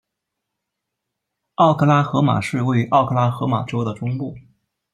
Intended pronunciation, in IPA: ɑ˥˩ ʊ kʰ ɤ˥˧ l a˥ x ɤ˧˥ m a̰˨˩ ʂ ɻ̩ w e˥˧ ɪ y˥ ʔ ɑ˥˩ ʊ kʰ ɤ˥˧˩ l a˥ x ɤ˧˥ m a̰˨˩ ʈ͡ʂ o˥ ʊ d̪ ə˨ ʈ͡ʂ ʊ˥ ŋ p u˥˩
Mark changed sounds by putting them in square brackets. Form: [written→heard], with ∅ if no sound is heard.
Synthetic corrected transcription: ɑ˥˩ ʊ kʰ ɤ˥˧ l a˥ x ɤ˧˥ m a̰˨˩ ʂ ɻ̩ w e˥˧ ɪ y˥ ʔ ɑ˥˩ ʊ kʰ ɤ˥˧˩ l a˥ x ɤ˧˥ m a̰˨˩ ʈ͡ʂ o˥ ʊ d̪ ə˨ ʈ͡ʂ ʊ˥ ŋ p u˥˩